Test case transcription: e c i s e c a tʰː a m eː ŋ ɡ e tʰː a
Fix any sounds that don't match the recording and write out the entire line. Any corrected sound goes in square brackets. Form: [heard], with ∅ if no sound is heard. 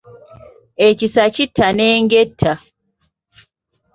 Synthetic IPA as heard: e c i s [a] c [i] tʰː a [n] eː ŋ ɡ e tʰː a